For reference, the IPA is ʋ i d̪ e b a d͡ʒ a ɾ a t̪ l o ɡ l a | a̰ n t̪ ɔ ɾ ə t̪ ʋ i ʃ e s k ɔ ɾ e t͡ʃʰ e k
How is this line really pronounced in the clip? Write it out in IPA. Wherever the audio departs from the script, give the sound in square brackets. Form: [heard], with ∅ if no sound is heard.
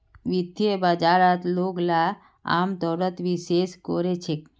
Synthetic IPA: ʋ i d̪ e b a d͡ʒ a ɾ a t̪ l o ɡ l a | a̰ [m] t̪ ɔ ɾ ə t̪ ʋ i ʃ e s k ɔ ɾ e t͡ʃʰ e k